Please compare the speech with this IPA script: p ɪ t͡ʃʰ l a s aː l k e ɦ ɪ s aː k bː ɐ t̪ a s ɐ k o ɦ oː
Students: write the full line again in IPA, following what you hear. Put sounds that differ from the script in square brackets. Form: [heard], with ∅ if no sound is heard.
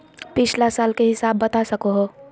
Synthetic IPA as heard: p ɪ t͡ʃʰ l a s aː l k e ɦ ɪ s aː [∅] bː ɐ t̪ a s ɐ k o ɦ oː